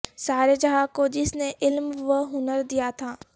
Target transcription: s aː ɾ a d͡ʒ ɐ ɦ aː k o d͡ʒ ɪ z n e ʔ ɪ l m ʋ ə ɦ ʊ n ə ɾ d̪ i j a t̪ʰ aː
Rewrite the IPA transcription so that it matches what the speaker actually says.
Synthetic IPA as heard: s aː ɾ e d͡ʒ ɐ ɦ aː k o d͡ʒ ɪ s n e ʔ ɪ l m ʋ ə ɦ ʊ n ə ɾ d̪ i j a t̪ʰ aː